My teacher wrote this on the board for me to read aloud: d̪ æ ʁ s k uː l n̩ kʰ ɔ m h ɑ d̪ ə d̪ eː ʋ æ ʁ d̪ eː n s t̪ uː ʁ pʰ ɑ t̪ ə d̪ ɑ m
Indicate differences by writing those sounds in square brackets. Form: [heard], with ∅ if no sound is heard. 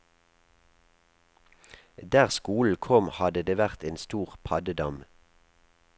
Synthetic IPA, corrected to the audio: d̪ [æː] ʁ s k uː l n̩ kʰ ɔ m h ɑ d̪ ə d̪ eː ʋ æ ʁ [t̪] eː n s t̪ uː ʁ pʰ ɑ [d̪] ə d̪ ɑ m